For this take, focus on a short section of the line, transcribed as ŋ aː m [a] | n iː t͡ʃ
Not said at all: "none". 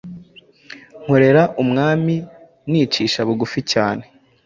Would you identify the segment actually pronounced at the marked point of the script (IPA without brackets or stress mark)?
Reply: i